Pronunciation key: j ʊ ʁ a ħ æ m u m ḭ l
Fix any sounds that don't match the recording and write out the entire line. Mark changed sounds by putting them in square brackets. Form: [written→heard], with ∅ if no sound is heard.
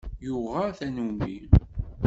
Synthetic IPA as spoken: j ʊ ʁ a [ħ→θ] æ [m→n] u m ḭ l